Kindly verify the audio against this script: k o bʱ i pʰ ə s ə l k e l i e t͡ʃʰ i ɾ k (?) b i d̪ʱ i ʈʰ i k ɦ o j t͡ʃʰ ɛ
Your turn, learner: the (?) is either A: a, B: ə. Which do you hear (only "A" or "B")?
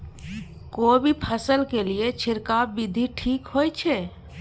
A